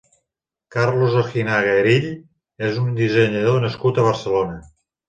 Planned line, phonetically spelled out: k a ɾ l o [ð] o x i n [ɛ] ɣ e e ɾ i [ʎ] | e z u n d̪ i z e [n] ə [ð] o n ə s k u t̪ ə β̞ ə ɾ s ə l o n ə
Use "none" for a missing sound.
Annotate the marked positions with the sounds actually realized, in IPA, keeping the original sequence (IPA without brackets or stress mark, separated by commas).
z, a, ʎ, ɲ, ð